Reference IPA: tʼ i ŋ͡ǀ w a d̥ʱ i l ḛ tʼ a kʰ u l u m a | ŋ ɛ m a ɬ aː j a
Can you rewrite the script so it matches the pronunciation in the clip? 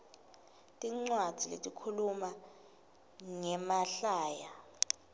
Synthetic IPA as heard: tʼ i ŋ͡ǀ w a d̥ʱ i l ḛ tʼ i kʰ u l u m a | ŋ ɛ m a ɬ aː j a